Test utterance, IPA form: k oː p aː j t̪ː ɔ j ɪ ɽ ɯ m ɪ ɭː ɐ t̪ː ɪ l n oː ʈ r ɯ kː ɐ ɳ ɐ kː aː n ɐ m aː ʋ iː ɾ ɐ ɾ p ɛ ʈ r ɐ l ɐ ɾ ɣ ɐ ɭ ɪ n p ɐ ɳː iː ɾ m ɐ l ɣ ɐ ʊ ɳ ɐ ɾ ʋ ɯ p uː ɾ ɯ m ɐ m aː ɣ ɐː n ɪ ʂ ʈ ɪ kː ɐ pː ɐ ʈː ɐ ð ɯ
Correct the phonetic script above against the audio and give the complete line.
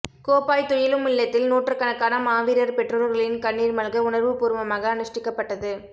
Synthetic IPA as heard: k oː p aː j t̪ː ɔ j ɪ l ɯ m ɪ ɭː ɐ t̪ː ɪ l n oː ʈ r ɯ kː ɐ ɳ ɐ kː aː n ɐ m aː ʋ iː ɾ ɐ ɾ p ɛ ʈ r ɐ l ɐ ɾ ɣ ɐ ɭ ɪ n k ɐ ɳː iː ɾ m ɐ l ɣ ɐ ʊ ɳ ɐ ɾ ʋ ɯ p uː ɾ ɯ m ɐ m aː ɣ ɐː n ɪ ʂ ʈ ɪ kː ɐ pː ɐ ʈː ɐ ð ɯ